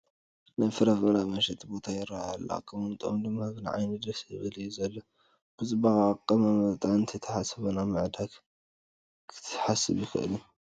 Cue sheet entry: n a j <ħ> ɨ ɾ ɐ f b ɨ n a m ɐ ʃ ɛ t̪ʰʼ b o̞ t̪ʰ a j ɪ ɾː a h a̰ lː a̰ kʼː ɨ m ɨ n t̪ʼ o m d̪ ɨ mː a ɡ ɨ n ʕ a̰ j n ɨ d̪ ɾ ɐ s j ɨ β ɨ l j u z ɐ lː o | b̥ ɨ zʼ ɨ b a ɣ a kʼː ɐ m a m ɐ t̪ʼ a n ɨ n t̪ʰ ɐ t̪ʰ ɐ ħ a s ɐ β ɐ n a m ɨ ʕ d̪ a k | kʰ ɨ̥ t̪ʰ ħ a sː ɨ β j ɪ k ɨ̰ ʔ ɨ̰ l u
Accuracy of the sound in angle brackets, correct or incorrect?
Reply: incorrect